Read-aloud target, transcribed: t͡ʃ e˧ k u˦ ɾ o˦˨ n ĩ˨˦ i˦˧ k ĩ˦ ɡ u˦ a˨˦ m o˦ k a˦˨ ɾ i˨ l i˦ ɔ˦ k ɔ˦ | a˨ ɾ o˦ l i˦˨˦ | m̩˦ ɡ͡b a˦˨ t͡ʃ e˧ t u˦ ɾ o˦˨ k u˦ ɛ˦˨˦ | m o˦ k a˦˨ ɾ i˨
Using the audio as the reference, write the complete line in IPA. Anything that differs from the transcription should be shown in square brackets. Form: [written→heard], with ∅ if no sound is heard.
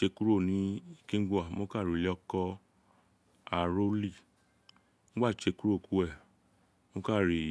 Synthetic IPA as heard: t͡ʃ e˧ k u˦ ɾ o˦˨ n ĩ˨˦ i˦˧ k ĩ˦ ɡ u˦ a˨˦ m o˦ k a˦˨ ɾ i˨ l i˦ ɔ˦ k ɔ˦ | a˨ ɾ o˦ l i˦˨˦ | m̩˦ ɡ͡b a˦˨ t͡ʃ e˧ [t→k] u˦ ɾ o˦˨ k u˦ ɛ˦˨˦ | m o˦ k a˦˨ ɾ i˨